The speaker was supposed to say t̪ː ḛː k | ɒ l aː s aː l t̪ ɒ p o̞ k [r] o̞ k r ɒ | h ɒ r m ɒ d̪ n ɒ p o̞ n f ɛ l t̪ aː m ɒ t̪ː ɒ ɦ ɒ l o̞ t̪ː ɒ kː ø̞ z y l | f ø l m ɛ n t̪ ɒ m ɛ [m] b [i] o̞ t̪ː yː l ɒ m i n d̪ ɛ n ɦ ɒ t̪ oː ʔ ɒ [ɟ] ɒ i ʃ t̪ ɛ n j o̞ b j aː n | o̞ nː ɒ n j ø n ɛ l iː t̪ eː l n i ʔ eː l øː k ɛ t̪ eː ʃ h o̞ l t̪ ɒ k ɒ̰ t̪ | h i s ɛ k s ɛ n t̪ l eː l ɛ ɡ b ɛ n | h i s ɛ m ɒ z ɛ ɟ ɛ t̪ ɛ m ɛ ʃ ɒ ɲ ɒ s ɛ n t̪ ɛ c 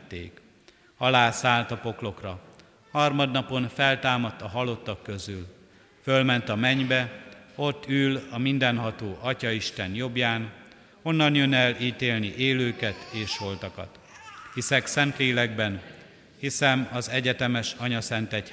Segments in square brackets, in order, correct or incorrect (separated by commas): incorrect, incorrect, incorrect, incorrect